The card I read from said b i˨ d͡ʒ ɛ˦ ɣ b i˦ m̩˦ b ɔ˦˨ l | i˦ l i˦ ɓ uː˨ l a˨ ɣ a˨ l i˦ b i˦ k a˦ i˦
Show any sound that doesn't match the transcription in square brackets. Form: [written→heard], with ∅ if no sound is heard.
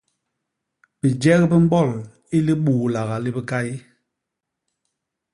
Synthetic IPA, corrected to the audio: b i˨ d͡ʒ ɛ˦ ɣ b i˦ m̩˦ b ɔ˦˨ l | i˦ l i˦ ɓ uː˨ l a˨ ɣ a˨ l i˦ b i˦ k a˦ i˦